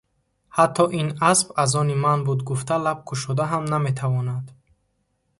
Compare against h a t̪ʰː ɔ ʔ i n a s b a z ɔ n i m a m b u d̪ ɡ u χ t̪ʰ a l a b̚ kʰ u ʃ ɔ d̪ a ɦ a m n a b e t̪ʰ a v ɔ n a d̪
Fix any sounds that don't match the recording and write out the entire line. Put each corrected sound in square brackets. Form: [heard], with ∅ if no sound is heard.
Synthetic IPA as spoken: h a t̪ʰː ɔ ʔ i n a s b a z ɔ n i m a [n] b u d̪ ɡ u [f] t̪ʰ a l a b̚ kʰ u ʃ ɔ d̪ a ɦ a m n a [m] e t̪ʰ a v ɔ n a d̪